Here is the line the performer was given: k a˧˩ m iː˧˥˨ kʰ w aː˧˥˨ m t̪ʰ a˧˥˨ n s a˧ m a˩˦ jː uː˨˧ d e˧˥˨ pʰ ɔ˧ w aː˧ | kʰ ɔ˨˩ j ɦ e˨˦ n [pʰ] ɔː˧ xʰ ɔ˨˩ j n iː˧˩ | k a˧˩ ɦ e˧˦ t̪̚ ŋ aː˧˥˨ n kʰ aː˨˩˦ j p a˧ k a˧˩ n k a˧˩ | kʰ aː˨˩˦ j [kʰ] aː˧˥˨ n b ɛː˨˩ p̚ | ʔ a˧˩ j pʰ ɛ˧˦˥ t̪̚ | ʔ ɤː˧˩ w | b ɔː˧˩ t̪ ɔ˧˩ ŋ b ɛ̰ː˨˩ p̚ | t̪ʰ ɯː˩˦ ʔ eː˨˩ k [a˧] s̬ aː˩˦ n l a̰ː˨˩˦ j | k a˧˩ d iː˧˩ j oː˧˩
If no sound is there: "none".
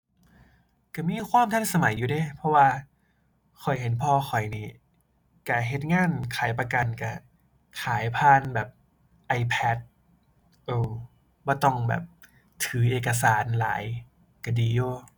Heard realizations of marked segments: pʰ, pʰ, a˧

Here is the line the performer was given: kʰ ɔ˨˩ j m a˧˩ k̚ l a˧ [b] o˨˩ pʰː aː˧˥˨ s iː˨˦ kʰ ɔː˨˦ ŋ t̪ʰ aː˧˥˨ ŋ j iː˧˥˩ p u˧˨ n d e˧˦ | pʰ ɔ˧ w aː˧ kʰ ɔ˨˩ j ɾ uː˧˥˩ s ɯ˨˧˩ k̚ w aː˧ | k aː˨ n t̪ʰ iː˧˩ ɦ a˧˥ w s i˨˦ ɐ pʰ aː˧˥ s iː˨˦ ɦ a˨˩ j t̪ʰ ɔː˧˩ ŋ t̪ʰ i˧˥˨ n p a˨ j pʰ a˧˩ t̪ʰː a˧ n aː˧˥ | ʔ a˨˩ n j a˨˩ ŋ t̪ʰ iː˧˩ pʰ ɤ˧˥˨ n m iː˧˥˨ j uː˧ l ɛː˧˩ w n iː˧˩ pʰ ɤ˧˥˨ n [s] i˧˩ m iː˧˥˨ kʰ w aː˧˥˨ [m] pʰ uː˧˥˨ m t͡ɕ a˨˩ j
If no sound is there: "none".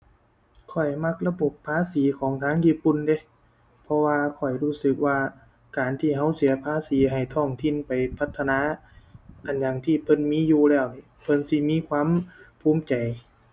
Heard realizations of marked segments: b, s, m

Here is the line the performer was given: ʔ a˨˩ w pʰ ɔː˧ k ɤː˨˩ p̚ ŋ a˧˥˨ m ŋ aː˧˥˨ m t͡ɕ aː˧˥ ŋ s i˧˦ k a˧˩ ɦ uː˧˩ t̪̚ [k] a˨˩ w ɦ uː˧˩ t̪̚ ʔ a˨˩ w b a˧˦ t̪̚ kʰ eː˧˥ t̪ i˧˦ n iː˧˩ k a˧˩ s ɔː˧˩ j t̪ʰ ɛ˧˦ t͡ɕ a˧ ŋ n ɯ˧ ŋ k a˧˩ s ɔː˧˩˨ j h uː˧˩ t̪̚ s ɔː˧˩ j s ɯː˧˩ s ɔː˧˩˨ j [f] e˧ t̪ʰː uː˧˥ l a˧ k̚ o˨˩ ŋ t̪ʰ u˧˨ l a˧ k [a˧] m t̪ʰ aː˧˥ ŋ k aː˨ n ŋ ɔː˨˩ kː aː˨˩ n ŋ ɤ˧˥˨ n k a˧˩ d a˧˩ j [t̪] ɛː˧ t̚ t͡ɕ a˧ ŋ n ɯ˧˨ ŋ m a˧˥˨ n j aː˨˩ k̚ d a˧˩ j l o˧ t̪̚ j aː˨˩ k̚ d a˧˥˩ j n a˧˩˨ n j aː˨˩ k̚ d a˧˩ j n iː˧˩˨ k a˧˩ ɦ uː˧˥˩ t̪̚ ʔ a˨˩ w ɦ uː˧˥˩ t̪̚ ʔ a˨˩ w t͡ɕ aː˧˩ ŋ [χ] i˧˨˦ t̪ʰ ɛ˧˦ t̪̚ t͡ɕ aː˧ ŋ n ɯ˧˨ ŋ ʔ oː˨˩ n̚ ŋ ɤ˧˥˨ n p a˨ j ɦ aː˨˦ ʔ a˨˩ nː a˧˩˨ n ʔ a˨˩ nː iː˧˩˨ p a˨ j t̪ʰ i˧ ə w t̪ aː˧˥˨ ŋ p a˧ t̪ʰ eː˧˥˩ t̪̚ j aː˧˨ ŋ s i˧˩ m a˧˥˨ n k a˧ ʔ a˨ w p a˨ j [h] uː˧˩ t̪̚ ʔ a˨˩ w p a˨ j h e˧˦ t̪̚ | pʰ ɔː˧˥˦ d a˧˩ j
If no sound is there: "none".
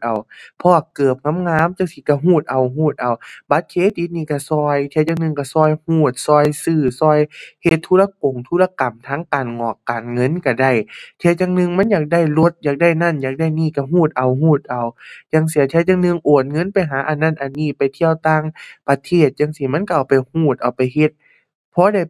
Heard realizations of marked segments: ʔ, h, a˨˩, t̪ʰ, s, h

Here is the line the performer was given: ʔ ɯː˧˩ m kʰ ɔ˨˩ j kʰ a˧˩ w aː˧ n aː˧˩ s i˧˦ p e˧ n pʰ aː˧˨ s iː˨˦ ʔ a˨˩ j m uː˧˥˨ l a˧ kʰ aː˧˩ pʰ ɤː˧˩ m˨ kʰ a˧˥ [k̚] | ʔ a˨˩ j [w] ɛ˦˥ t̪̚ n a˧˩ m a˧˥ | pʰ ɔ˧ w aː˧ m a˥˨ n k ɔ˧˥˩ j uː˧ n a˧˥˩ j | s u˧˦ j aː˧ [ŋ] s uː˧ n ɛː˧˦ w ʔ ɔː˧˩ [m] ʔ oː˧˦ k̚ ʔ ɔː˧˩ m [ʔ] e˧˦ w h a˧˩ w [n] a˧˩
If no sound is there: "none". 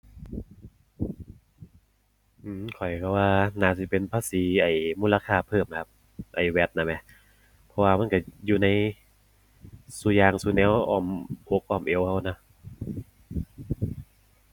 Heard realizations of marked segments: p̚, w, ŋ, m, ʔ, n

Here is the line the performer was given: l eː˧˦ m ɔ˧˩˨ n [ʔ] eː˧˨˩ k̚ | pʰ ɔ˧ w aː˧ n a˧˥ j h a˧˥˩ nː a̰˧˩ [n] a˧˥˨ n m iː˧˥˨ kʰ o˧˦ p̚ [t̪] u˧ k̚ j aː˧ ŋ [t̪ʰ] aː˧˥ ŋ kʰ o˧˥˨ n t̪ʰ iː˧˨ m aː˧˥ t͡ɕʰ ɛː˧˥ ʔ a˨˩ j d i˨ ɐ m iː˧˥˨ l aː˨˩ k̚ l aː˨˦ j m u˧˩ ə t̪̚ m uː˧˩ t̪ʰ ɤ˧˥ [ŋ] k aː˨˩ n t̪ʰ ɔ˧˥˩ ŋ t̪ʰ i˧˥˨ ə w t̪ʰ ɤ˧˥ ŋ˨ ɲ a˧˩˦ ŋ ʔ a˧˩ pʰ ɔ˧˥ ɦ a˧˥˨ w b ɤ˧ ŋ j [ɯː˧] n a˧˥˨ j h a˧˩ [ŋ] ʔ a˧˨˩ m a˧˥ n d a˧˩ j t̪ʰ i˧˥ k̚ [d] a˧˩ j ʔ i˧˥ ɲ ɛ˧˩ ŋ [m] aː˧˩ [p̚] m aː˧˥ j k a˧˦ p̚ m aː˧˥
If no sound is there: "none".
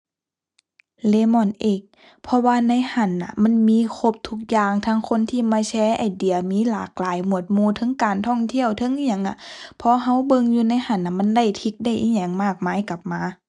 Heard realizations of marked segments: ʔ, m, t̪ʰ, t̪ʰ, ŋ, uː˧, n, d, m, k̚

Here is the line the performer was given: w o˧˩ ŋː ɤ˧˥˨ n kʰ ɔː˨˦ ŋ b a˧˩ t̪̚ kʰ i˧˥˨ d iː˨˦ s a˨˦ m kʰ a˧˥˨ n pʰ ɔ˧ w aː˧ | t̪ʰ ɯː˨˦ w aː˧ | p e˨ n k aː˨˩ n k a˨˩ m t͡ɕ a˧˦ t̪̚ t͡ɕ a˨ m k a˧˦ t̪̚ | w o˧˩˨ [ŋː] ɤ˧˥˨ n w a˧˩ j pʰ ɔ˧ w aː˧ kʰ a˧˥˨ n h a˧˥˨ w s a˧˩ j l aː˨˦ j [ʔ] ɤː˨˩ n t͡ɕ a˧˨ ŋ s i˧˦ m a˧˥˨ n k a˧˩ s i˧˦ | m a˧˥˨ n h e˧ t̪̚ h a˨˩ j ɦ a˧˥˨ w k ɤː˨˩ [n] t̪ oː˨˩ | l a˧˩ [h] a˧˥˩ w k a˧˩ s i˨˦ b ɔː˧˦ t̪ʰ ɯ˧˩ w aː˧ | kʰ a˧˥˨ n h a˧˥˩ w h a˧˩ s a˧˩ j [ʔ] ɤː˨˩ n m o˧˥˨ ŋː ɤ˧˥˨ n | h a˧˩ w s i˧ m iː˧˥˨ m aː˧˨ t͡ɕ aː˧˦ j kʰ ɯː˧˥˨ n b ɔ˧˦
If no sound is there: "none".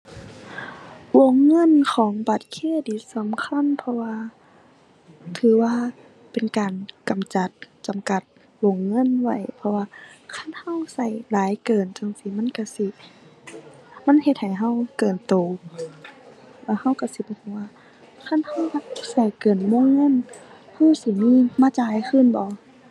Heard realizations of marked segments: ŋː, k, n, h, k

